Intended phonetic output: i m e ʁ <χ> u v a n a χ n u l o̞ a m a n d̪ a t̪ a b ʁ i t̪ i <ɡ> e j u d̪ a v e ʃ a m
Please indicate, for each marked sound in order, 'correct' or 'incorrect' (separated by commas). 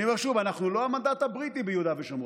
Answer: incorrect, incorrect